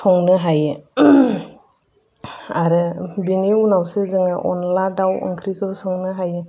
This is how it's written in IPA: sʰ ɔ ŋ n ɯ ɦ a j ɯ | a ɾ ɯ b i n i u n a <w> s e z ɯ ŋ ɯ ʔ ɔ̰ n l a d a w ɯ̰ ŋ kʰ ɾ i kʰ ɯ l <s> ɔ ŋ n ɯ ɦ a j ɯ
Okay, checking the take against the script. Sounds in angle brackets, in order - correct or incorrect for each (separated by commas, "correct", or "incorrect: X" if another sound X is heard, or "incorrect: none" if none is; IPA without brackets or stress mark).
correct, correct